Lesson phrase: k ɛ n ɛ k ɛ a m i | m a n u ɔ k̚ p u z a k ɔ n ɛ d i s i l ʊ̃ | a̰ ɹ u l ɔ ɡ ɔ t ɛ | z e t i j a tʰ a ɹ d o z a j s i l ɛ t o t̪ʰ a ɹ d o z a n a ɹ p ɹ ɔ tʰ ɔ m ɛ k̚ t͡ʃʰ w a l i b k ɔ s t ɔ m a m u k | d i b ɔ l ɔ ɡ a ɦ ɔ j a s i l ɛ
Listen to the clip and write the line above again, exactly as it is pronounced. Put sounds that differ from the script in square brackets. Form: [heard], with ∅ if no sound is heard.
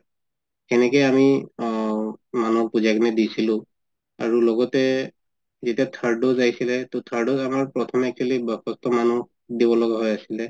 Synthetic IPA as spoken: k ɛ n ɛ k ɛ a m i | m a n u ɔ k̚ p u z a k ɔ n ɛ d i s i l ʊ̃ | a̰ ɹ u l ɔ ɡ ɔ t ɛ | z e t i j a tʰ a ɹ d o z a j s i l ɛ t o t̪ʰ a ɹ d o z a [m] a ɹ p ɹ ɔ tʰ ɔ m ɛ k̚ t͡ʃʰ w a l i b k ɔ s t ɔ m a [n] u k | d i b ɔ l ɔ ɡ a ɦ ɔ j a s i l ɛ